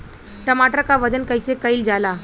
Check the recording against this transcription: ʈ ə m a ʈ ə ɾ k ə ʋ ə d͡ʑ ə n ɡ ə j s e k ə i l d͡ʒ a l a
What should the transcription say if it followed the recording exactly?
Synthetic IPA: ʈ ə m a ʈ ə ɾ k a ʋ ə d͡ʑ ə n k ə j s e k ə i l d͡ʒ a l a